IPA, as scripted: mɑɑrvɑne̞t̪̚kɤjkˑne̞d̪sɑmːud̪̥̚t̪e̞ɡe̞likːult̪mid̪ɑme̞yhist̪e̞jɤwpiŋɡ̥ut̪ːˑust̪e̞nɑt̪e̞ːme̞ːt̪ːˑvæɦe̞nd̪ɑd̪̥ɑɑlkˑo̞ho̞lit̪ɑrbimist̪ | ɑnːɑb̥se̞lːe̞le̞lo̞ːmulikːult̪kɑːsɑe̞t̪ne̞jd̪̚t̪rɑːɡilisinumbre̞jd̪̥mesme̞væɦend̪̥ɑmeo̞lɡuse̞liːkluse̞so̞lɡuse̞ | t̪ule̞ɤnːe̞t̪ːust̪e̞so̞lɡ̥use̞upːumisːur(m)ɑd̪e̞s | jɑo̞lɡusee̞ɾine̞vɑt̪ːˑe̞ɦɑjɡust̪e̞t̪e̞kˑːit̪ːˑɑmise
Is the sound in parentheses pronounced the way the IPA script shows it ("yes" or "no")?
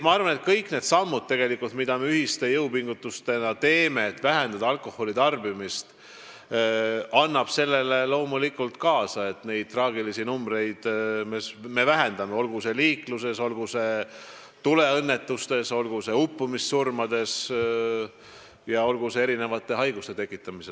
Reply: yes